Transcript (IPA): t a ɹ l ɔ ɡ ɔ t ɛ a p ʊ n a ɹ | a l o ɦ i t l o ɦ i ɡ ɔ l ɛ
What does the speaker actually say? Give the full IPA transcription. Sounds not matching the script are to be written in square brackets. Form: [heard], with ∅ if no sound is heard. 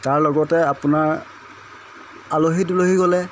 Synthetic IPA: t a ɹ l ɔ ɡ ɔ t ɛ a p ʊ n a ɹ | a l o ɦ i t l o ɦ i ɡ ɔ l ɛ